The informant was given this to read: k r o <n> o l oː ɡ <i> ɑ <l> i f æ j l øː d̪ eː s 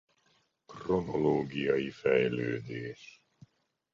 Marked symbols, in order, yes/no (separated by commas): yes, yes, no